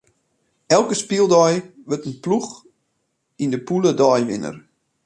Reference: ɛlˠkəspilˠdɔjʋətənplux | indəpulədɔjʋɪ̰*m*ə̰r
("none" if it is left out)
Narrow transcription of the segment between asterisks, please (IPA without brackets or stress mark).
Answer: n